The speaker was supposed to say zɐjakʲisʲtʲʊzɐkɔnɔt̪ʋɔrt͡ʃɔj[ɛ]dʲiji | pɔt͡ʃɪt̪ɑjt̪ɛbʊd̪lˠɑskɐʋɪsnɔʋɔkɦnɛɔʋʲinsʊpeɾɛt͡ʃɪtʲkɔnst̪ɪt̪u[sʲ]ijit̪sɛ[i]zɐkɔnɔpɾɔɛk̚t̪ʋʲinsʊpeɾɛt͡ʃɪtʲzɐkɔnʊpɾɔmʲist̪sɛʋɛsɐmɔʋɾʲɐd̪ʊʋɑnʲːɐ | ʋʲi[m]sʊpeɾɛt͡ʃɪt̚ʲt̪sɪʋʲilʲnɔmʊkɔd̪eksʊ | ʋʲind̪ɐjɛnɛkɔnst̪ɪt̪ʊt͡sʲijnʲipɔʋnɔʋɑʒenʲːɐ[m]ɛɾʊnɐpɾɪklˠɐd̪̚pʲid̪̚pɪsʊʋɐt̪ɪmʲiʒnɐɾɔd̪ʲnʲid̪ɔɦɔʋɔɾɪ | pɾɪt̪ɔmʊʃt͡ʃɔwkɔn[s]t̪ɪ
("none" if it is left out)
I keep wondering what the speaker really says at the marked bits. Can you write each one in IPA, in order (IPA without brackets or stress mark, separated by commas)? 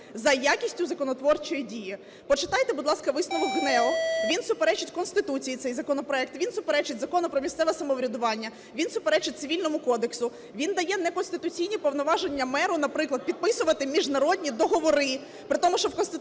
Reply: i, t͡sʲ, j, n, m, s